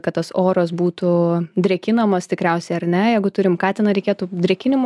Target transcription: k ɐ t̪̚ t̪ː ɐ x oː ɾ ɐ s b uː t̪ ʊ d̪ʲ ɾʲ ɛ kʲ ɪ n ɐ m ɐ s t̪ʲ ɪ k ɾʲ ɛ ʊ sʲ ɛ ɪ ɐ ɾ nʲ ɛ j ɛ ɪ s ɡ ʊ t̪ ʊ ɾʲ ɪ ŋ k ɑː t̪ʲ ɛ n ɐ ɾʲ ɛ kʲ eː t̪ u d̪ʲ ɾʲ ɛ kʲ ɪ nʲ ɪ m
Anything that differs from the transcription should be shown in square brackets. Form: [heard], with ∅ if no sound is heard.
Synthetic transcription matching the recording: k ɐ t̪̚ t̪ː ɐ [s] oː ɾ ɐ s b uː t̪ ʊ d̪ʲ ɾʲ ɛ kʲ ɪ n ɐ m ɐ s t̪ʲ ɪ k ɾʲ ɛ ʊ sʲ ɛ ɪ ɐ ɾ nʲ ɛ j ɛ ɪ [∅] ɡ ʊ t̪ ʊ ɾʲ ɪ [m] k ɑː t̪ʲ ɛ n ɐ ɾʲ ɛ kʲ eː t̪ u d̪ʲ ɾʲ ɛ kʲ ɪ nʲ ɪ m